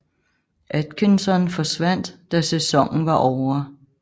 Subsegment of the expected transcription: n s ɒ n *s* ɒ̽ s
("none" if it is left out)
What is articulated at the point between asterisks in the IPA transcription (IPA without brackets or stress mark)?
f